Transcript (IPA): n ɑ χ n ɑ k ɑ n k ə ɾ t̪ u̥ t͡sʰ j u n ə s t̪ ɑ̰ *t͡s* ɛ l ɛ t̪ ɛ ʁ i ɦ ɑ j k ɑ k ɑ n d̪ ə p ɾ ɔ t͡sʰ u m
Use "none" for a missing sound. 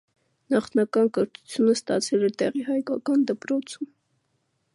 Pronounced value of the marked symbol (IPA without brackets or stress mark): t͡sʰ